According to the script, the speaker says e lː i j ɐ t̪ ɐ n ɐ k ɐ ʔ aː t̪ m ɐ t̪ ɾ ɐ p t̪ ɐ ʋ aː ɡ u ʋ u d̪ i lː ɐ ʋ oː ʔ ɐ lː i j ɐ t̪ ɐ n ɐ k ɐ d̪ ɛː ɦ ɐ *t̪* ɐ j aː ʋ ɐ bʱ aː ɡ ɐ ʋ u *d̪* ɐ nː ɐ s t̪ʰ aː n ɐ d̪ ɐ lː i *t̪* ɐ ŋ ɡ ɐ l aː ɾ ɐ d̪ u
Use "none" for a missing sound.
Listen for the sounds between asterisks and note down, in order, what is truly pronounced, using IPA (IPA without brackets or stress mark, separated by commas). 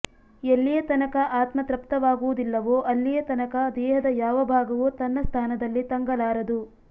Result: d̪, t̪, t̪